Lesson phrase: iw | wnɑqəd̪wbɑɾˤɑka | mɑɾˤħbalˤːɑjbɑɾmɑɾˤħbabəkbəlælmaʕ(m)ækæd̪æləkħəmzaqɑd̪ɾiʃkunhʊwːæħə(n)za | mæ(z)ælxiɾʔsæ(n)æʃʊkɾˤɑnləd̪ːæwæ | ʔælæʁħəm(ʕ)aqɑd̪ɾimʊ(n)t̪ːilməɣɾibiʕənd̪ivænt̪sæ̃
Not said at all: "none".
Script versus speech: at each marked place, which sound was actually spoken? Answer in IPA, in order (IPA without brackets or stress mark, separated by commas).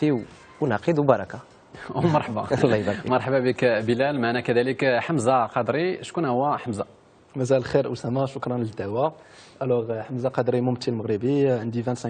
n, m, z, m, z, m